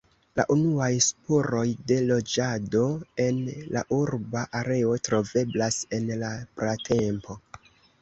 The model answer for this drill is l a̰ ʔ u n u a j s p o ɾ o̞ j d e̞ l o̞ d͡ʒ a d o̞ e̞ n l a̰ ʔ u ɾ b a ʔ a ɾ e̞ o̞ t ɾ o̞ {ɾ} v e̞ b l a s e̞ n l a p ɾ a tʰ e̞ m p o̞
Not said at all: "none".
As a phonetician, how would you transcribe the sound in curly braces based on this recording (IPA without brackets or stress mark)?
none